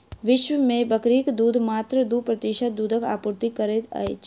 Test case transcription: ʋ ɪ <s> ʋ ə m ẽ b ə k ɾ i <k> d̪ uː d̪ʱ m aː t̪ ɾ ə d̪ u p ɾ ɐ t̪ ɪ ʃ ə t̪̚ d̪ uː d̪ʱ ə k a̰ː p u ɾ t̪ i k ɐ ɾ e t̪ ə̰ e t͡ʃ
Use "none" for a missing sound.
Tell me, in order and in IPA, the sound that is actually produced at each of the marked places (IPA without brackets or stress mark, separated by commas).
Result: ʃ, k